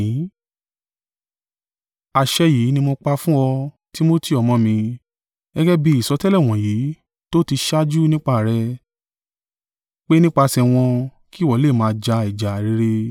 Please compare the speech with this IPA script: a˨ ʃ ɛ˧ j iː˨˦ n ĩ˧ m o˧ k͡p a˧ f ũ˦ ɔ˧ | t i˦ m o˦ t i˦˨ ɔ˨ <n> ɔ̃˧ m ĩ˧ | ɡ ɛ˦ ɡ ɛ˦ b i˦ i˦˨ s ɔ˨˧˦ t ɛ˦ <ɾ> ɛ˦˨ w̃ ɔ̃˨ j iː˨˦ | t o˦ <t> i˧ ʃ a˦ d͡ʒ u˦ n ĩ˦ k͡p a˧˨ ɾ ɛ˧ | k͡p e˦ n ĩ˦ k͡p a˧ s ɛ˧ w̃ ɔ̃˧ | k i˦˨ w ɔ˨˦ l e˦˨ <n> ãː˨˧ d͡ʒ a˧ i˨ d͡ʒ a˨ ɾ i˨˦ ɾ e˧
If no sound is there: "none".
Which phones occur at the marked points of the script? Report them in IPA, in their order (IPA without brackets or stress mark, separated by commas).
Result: m, l, t, m